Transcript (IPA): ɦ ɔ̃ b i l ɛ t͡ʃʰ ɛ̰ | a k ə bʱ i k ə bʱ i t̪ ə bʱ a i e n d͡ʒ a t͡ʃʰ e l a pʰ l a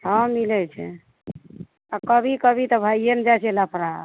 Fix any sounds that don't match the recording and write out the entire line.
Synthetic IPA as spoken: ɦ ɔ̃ m i l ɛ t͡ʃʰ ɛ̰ | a k ə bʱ i k ə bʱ i t̪ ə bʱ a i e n d͡ʒ a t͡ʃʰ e l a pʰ ɾ a

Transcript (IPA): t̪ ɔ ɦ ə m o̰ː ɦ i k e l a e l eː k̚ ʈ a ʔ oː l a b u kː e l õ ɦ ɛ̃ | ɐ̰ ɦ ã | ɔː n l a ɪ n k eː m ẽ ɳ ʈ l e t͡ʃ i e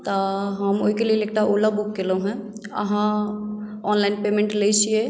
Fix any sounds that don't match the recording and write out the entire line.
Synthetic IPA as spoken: t̪ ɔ ɦ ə m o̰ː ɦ i k e l i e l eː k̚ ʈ a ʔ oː l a b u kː e l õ ɦ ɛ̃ | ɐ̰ ɦ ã | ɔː n l a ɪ n p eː m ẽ ɳ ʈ l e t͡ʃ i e

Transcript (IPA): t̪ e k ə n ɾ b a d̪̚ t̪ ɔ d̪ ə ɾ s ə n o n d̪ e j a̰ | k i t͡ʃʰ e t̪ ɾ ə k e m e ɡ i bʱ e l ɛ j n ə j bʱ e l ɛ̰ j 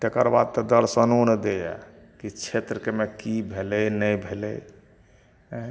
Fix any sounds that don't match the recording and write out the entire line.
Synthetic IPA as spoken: t̪ e k ə ɾ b a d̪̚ t̪ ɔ d̪ ə ɾ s ə n o n d̪ e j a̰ | k i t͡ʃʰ e t̪ ɾ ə k e m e k i bʱ e l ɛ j n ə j bʱ e l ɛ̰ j

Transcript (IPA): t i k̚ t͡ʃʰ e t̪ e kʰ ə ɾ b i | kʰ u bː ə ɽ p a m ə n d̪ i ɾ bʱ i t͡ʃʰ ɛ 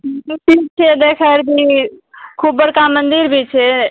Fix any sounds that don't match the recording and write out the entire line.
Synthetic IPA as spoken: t i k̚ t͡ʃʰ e d̪ e kʰ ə ɾ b i | kʰ u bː ə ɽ k a m ə n d̪ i ɾ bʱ i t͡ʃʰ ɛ

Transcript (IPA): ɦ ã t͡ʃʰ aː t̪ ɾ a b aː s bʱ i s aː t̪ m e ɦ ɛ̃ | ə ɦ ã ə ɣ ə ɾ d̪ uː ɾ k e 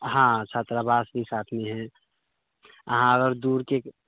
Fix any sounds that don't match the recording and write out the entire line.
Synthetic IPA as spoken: ɦ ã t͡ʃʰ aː t̪ ɾ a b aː s bʱ i s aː t̪ʰ m e ɦ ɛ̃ | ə ɦ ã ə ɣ ə ɾ d̪ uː ɾ k e

